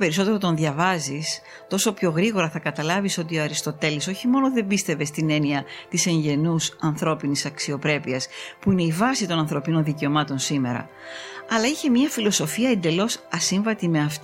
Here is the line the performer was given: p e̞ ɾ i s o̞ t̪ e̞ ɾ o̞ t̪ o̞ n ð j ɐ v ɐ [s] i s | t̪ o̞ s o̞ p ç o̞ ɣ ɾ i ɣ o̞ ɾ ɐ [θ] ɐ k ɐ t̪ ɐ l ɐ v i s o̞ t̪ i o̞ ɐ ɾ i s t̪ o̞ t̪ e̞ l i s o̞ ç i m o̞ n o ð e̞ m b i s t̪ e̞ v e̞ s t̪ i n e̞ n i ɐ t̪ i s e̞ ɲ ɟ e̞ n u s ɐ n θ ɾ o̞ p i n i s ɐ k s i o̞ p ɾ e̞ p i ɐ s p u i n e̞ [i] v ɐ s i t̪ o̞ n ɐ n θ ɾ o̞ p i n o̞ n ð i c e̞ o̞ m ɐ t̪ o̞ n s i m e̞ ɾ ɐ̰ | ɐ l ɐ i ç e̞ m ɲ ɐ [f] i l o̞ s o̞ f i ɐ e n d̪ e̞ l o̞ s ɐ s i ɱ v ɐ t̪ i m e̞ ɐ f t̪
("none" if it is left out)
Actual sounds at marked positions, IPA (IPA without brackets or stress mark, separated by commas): z, θ, i, f